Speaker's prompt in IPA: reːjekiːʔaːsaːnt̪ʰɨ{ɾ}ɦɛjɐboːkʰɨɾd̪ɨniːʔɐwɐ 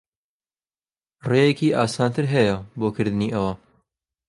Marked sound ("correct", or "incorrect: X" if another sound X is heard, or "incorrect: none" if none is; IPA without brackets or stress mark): correct